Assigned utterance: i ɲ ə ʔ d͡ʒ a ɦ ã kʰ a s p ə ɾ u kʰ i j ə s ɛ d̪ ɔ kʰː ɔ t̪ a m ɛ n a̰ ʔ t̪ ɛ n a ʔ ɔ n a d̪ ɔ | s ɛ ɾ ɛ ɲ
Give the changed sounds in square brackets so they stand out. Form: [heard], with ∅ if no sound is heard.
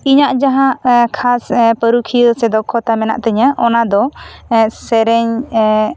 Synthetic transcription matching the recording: i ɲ [a] ʔ d͡ʒ a ɦ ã kʰ a s p ə ɾ u kʰ i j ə s ɛ d̪ ɔ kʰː ɔ t̪ a m ɛ n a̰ ʔ t̪ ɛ [ɲ] a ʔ ɔ n a d̪ ɔ | s ɛ ɾ ɛ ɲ